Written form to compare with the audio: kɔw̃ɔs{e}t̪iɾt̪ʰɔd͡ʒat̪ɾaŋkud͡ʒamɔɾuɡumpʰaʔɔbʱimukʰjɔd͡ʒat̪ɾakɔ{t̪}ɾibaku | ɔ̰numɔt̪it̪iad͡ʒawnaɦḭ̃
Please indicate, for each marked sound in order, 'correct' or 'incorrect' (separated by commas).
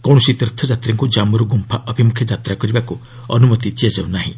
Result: incorrect, incorrect